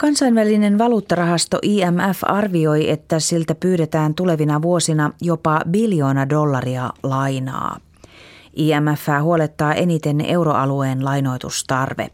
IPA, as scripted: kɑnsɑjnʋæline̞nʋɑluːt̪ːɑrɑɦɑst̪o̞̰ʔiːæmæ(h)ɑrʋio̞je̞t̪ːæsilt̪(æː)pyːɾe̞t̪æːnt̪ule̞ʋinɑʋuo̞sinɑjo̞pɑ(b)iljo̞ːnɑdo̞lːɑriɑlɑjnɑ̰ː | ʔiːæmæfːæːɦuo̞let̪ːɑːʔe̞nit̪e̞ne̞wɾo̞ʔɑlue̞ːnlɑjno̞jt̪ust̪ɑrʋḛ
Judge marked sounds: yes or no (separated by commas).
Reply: no, no, yes